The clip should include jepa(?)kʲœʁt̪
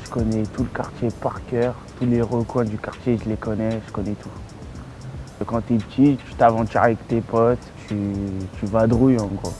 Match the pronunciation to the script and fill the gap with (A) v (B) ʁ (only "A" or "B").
B